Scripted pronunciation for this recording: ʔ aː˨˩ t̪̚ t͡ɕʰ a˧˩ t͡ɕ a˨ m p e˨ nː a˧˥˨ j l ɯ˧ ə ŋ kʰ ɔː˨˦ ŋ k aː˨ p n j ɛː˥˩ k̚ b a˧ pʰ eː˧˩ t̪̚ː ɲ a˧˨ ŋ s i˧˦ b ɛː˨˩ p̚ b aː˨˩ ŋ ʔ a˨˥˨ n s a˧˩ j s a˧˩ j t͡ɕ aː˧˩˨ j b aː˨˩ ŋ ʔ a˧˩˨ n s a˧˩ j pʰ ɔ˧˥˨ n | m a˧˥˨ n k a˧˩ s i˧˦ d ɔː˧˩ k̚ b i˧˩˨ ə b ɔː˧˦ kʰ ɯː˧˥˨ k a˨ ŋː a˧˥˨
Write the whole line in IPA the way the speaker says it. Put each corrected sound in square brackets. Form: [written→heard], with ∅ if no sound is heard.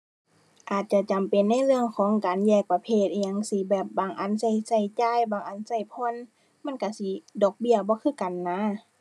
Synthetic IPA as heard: ʔ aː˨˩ t̪̚ [t͡ɕʰ→t͡ɕ] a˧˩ t͡ɕ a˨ m p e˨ nː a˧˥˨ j l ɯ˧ ə ŋ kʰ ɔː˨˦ ŋ k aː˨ [p→∅] n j [ɛː˥˩→ɛː˧˩] k̚ [b→p] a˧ pʰ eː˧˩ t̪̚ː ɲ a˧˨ ŋ s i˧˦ b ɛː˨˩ p̚ b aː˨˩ ŋ ʔ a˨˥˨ n s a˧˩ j s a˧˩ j t͡ɕ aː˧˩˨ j b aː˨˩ ŋ ʔ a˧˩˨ n s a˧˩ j pʰ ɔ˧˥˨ n | m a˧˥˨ n k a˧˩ s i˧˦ d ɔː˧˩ k̚ b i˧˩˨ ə b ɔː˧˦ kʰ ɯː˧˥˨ k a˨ [ŋː→nː] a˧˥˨